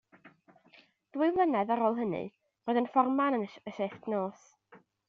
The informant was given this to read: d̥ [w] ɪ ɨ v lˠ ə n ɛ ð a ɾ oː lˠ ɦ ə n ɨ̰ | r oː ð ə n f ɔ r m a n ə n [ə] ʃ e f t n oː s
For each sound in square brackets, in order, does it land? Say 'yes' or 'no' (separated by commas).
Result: yes, yes